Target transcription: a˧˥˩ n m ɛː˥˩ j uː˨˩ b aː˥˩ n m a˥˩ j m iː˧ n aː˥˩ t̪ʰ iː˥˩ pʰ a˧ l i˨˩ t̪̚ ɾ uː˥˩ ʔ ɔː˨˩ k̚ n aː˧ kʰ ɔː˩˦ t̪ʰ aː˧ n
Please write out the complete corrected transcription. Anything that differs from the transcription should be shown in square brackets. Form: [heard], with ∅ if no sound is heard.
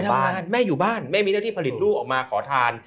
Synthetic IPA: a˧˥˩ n m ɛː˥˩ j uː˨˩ b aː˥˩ n m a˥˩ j m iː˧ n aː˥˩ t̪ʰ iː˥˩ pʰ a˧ l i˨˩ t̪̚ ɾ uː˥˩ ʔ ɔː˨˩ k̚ [m] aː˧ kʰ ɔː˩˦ t̪ʰ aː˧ n